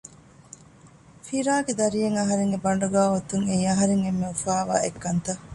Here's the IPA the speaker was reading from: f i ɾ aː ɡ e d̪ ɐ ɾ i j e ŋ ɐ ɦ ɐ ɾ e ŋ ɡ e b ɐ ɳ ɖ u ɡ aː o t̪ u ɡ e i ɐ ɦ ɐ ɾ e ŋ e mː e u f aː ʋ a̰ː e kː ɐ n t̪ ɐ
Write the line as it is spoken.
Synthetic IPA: f i ɾ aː ɡ e d̪ ɐ ɾ i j e ŋ ɐ ɦ ɐ ɾ e ŋ ɡ e b ɐ ɳ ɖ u ɡ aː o t̪ u ŋ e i ɐ ɦ ɐ ɾ e ŋ e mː e u f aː ʋ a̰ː e kː ɐ n t̪ ɐ